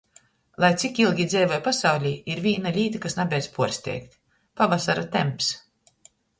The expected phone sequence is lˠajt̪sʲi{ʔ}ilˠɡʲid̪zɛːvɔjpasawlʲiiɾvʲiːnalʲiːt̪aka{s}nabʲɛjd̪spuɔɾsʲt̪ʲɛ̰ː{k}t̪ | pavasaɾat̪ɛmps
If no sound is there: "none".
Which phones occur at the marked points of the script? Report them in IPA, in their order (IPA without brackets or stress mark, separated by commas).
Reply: k, s, k